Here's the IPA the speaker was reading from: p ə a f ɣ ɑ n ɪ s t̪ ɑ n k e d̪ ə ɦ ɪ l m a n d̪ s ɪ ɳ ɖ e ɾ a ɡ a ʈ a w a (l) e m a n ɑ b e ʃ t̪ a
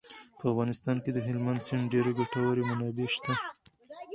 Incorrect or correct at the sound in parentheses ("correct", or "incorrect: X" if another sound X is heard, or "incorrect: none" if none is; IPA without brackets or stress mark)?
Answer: incorrect: ɾ